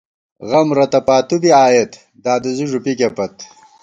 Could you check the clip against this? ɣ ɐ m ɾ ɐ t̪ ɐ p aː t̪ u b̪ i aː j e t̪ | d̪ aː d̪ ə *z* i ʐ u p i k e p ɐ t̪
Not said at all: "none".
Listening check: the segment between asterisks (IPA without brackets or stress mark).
z